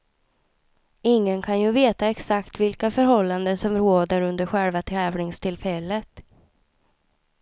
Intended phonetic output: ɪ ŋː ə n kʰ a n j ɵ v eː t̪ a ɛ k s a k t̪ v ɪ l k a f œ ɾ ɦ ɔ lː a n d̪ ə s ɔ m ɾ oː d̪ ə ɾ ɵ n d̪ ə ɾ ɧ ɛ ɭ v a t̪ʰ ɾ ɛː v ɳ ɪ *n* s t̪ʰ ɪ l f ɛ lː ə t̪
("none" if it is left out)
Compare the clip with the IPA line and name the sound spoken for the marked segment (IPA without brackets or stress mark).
ŋ